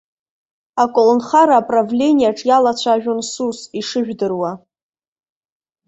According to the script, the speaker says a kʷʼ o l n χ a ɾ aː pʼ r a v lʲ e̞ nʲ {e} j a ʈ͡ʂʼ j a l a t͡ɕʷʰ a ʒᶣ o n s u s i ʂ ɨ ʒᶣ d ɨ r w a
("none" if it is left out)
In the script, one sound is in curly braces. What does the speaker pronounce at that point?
i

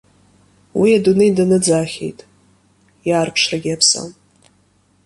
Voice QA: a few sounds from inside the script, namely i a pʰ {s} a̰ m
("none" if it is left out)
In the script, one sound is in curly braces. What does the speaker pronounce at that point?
s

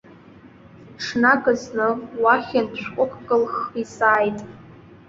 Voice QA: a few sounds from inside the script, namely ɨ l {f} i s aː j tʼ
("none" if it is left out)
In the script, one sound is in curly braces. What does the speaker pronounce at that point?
χ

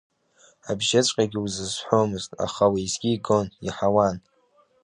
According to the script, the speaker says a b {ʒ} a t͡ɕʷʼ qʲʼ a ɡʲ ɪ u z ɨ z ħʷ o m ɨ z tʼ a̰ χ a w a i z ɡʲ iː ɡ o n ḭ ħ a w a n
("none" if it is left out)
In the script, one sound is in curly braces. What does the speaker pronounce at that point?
ʒ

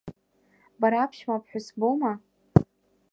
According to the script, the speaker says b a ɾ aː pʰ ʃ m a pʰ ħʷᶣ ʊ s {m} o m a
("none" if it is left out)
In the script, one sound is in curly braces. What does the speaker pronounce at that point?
b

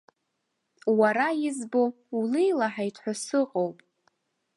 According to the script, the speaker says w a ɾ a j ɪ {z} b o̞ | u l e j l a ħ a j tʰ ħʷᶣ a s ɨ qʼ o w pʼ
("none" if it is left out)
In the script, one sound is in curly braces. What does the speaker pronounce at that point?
z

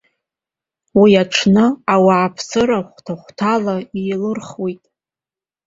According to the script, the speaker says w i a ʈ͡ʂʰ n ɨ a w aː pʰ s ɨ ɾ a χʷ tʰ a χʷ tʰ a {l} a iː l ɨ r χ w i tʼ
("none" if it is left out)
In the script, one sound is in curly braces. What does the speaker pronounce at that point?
l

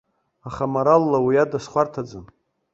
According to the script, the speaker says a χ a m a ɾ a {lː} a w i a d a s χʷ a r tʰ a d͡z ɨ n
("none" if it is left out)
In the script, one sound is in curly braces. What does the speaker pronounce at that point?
lː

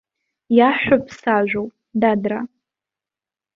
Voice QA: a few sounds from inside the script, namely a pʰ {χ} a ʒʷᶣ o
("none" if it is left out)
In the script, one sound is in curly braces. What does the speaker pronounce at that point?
s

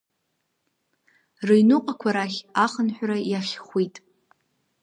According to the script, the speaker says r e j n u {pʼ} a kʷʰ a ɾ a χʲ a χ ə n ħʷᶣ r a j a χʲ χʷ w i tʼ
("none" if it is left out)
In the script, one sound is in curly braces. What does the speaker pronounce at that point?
qʼ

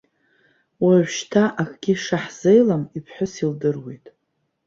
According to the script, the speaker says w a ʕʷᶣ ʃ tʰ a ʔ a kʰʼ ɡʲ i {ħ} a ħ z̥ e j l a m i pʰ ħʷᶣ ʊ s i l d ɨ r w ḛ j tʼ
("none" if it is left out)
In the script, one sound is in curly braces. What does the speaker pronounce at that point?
ʂ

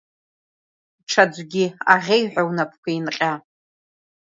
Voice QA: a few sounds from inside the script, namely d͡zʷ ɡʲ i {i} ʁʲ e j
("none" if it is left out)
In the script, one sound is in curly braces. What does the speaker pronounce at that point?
a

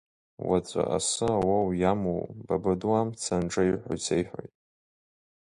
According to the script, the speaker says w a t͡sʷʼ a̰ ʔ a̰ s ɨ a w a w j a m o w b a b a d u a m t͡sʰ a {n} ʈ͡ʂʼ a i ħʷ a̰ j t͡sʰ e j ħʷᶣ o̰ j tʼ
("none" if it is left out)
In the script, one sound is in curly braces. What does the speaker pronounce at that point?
n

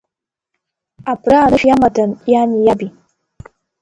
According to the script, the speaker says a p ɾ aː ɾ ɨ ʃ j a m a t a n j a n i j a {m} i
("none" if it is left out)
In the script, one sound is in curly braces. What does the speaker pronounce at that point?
b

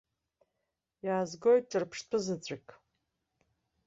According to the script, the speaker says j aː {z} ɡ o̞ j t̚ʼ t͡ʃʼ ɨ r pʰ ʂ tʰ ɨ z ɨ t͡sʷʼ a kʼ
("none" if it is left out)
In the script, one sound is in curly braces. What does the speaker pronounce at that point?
z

